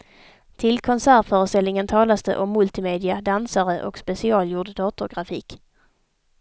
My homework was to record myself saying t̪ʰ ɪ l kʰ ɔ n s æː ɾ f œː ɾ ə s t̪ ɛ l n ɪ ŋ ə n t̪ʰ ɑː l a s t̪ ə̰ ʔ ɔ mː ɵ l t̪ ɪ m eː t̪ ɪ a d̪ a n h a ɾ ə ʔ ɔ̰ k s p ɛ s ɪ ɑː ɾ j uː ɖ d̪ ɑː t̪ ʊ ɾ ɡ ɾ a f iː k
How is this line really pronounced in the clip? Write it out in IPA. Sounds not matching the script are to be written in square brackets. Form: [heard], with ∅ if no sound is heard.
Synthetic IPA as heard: t̪ʰ ɪ l kʰ ɔ n s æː ɾ f œː ɾ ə s t̪ ɛ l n ɪ ŋ ə n t̪ʰ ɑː l a s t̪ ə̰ ʔ ɔ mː ɵ l t̪ ɪ m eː [d̪] ɪ a d̪ a n [s] a ɾ ə ʔ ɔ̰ k s p ɛ s ɪ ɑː [l] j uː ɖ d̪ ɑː t̪ ʊ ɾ ɡ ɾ a f iː k